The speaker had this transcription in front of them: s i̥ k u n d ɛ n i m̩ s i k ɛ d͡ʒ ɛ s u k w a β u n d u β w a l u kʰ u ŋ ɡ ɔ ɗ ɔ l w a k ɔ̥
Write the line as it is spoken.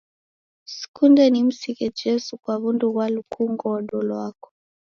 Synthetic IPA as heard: s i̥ k u n d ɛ n i m̩ s i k ɛ d͡ʒ ɛ s u k w a β u n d u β w a l u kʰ u ŋ ɡ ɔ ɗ ɔ l w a k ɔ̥